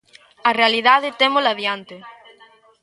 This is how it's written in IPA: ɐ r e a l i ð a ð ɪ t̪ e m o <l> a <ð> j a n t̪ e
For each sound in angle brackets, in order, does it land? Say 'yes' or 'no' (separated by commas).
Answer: yes, yes